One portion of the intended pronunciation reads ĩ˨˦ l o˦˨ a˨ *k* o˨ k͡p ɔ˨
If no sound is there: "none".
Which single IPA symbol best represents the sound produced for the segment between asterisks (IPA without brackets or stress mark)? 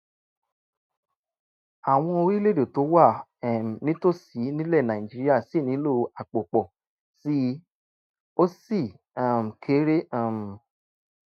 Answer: k͡p